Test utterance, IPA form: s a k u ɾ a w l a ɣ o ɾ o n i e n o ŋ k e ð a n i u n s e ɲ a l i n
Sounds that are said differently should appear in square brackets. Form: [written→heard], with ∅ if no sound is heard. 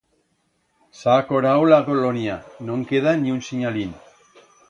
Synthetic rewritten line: s a k [u→o] ɾ a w l a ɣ o [ɾ→l] o n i [e→a] n o ŋ k e ð a n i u n s [e→i] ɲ a l i n